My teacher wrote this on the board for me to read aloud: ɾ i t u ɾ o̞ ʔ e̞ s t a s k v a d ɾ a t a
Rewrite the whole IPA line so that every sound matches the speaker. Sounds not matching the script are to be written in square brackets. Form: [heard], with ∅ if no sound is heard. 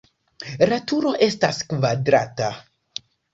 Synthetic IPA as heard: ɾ [a] t u ɾ o̞ ʔ e̞ s t a s k v a d ɾ a t a